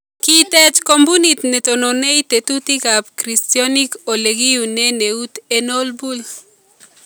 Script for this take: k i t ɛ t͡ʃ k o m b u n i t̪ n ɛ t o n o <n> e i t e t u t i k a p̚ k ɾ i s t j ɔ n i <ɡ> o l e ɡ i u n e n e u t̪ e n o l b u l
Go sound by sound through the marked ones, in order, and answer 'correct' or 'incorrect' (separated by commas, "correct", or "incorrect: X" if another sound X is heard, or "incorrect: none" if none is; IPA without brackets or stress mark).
correct, incorrect: k